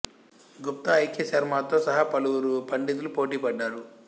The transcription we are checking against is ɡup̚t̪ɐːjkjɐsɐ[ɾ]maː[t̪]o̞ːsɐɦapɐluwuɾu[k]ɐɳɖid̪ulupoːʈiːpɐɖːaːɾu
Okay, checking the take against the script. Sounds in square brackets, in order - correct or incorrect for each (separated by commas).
correct, correct, incorrect